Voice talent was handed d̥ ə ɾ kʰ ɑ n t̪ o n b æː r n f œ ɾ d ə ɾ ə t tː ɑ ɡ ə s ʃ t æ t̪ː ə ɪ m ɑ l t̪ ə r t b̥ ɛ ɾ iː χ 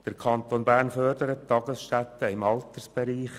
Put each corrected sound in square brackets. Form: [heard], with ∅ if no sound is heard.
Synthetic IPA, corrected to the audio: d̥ ə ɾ kʰ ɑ n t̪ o n b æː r n f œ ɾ d ə ɾ ə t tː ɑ ɡ ə s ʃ t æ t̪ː ə ɪ m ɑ l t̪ ə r [s] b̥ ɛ ɾ iː χ